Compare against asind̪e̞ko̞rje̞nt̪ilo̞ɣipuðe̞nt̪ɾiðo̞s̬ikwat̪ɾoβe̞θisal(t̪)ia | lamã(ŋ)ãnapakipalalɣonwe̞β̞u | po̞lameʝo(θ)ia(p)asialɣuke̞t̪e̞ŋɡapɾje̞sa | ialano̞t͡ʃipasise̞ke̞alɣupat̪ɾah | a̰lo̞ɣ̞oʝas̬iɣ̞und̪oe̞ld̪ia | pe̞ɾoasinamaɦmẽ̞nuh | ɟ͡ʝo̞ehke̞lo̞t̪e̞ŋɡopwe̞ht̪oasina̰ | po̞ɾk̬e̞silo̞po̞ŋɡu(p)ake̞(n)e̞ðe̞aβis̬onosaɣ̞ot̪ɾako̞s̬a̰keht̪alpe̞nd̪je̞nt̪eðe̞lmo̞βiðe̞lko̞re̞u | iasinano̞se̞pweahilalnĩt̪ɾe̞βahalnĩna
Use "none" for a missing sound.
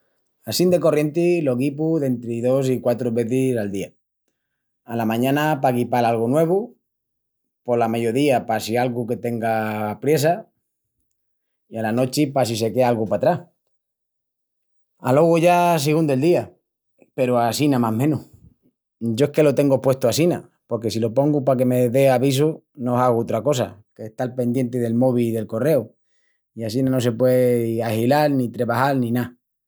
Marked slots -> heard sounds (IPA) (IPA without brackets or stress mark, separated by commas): d̪, ɲ, ð, p, p, m